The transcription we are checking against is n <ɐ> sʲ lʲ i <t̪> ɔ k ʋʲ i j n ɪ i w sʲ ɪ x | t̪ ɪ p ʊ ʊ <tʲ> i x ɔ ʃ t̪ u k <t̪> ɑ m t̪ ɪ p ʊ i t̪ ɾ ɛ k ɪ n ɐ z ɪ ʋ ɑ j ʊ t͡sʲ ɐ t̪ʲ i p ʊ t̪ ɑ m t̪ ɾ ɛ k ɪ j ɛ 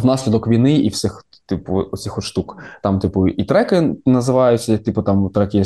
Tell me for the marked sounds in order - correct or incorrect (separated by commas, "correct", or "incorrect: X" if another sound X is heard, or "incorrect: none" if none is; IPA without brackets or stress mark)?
incorrect: ɑ, incorrect: d̪, incorrect: sʲ, correct